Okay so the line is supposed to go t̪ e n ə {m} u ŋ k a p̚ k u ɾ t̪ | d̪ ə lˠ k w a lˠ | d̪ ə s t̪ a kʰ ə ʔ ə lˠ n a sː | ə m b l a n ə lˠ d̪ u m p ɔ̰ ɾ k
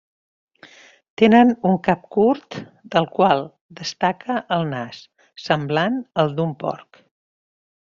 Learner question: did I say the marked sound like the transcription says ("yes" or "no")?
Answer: no